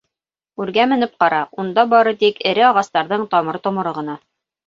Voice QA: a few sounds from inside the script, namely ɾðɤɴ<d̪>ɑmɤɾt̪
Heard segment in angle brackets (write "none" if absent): t̪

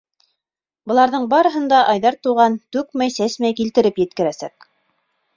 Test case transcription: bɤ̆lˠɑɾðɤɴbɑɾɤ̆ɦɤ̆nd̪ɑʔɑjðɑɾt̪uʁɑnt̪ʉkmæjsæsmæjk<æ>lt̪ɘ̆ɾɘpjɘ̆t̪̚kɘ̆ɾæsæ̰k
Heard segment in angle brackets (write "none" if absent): i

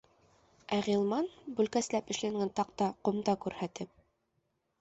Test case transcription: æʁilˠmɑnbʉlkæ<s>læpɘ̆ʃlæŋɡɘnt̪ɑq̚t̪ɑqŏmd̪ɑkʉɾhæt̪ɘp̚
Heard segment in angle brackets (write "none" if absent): s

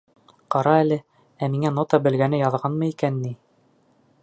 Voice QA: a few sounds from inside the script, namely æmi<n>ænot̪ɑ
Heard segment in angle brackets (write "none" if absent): ŋ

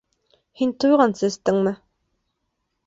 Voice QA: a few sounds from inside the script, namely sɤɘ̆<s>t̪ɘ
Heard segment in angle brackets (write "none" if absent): s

